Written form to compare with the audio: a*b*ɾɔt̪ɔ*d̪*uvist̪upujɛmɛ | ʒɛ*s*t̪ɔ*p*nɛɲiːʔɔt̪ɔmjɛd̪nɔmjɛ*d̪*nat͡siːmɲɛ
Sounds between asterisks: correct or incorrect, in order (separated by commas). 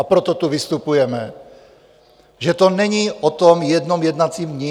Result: incorrect, incorrect, incorrect, incorrect, correct